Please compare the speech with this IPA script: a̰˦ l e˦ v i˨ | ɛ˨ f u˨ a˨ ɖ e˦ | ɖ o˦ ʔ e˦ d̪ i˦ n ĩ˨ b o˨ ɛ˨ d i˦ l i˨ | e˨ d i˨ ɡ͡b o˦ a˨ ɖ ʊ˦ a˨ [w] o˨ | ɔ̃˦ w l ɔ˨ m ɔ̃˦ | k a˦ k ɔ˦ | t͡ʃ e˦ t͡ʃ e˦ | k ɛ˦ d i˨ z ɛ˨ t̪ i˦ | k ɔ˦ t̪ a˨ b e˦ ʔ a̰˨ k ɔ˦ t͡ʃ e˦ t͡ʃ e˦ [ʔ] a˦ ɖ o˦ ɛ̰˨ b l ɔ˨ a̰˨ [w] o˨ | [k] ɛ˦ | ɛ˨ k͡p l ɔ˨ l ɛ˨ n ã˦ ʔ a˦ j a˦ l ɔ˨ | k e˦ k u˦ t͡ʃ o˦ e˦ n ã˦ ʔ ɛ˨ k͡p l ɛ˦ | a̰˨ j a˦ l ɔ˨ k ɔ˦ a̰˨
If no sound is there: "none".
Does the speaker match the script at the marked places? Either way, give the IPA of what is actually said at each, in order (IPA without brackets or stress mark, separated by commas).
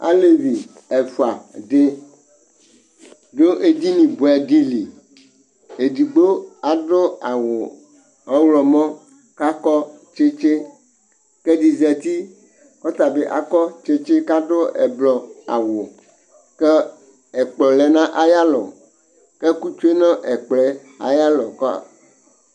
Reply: w, k, w, k